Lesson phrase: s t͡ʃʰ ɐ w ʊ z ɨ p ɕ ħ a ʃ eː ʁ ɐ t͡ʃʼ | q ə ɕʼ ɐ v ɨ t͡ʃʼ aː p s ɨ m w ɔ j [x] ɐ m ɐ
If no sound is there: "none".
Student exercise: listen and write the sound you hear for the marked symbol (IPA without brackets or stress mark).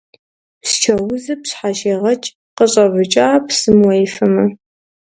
f